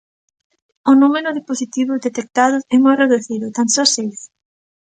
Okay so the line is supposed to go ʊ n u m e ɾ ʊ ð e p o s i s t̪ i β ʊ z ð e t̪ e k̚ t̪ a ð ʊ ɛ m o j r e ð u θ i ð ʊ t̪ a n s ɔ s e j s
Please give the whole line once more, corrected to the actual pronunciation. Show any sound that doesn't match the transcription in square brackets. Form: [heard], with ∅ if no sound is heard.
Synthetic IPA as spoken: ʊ n u m e ɾ ʊ ð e p o s i [∅] t̪ i β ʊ z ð e t̪ e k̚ t̪ a ð ʊ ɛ m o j r e ð u θ i ð ʊ t̪ a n s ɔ s e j s